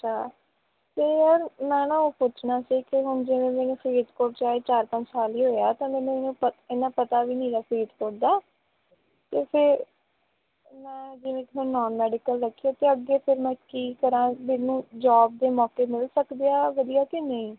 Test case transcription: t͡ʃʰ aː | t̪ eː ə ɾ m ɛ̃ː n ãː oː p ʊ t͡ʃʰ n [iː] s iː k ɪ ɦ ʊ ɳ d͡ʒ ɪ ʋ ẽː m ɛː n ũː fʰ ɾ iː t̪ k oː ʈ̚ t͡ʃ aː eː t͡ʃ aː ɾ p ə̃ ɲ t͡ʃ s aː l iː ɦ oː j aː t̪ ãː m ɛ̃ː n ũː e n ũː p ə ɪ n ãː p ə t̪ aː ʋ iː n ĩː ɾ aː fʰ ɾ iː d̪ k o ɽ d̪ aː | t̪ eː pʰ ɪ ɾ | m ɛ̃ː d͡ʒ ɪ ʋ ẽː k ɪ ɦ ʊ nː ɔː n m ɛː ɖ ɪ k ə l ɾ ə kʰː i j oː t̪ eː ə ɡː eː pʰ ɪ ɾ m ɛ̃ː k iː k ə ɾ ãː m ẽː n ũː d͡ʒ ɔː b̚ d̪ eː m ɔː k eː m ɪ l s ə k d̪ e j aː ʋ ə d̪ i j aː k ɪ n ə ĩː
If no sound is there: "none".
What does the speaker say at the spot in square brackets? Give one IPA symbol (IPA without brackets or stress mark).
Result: aː